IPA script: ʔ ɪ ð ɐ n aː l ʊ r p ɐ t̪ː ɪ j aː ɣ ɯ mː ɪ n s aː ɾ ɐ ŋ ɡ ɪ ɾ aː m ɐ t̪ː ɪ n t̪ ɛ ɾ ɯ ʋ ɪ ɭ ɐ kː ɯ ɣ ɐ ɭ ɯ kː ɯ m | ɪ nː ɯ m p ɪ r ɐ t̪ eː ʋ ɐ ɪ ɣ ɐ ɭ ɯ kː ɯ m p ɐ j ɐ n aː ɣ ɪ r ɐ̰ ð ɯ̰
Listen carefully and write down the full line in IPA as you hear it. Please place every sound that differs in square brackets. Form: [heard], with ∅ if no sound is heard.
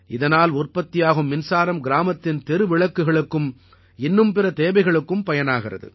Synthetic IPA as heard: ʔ ɪ ð ɐ n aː l ʊ r p ɐ t̪ː ɪ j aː ɣ ɯ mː ɪ n s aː ɾ ɐ [m] ɡ ɪ ɾ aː m ɐ t̪ː ɪ n t̪ ɛ ɾ ɯ ʋ ɪ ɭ ɐ kː ɯ ɣ ɐ ɭ ɯ kː ɯ m | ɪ nː ɯ m p ɪ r ɐ t̪ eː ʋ ɐ ɪ ɣ ɐ ɭ ɯ kː ɯ m p ɐ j ɐ n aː ɣ ɪ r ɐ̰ ð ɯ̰